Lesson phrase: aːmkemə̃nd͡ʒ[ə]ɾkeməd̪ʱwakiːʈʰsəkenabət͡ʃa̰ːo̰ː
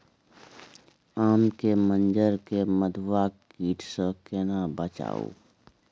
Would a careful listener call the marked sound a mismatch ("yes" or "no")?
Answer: no